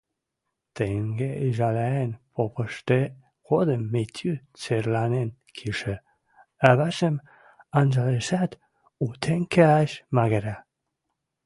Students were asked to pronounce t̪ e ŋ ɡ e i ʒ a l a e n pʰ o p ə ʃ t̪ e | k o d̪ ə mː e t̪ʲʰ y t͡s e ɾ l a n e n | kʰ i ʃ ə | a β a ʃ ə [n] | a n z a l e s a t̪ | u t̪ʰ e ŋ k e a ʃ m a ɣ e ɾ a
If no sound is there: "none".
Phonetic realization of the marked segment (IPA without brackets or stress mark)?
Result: m